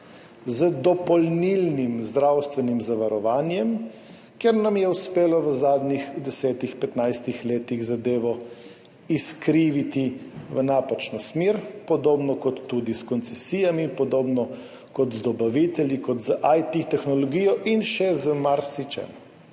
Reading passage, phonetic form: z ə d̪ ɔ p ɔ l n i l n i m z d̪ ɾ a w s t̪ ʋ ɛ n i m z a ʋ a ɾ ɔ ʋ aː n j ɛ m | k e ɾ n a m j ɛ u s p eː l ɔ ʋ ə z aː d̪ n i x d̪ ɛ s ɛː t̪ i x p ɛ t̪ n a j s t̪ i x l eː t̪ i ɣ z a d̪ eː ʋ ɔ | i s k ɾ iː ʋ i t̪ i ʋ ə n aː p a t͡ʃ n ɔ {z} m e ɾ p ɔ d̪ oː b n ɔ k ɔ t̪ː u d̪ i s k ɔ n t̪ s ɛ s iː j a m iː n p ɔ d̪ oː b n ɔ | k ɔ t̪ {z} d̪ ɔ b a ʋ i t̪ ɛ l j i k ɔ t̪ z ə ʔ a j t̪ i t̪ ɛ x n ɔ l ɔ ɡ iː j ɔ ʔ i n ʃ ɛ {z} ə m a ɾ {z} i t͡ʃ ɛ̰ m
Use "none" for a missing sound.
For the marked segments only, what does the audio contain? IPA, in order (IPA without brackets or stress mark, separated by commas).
s, z, z, s